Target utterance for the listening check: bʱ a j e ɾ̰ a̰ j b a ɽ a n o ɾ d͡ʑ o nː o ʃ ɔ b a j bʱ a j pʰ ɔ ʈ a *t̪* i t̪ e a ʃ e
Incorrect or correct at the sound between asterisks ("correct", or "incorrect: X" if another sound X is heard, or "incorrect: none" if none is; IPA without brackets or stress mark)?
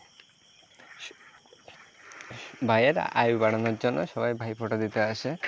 incorrect: d̪